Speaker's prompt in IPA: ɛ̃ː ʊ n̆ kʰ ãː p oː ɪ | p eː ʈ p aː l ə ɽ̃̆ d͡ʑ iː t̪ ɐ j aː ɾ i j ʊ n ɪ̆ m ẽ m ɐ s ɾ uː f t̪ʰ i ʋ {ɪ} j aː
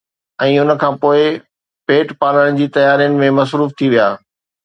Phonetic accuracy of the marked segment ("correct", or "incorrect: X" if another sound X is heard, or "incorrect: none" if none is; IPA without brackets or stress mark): incorrect: i